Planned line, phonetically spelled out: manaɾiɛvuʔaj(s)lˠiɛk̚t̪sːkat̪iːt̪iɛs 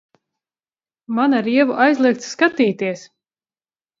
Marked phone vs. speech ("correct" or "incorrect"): incorrect